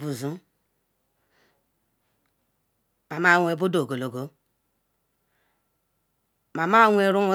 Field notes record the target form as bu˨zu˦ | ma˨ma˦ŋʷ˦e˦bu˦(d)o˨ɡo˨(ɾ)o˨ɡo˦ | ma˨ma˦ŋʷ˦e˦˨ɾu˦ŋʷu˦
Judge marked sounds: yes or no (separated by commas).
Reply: yes, no